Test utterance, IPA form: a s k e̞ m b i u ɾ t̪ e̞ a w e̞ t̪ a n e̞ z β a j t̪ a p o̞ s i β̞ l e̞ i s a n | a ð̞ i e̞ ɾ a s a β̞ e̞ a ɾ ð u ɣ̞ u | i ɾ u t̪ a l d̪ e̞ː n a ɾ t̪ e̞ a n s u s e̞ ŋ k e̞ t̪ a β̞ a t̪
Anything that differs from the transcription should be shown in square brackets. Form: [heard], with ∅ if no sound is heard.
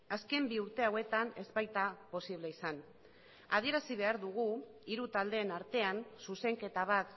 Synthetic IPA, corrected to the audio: a s k e̞ m b i u ɾ t̪ e̞ a w e̞ t̪ a n e̞ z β a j t̪ a p o̞ s i β̞ l e̞ i s a n | a ð̞ i e̞ ɾ a s [i] β̞ e̞ a ɾ ð u ɣ̞ u | i ɾ u t̪ a l d̪ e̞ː n a ɾ t̪ e̞ a n s u s e̞ ŋ k e̞ t̪ a β̞ a t̪